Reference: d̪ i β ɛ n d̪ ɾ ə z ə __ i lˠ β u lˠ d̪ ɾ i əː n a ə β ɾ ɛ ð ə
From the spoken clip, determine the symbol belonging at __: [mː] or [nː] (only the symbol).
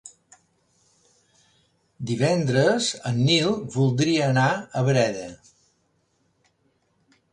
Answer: nː